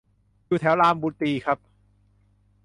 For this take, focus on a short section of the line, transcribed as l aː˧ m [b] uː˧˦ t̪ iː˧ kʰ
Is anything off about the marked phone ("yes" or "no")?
no